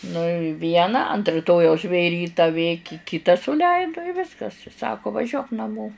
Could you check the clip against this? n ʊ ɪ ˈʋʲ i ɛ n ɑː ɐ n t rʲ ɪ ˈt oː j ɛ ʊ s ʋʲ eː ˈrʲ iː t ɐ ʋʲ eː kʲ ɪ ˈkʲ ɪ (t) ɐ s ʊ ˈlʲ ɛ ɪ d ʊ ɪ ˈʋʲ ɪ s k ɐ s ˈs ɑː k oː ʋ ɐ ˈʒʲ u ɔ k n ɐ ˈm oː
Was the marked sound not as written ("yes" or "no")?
no